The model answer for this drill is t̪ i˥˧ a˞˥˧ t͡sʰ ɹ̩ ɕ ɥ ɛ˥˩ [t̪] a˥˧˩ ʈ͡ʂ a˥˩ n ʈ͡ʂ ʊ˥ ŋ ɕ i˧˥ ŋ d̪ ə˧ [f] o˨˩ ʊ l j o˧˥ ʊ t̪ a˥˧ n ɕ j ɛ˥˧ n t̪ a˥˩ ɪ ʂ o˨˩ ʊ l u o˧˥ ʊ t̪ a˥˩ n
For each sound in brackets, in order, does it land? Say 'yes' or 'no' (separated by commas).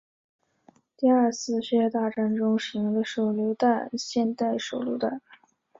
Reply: yes, no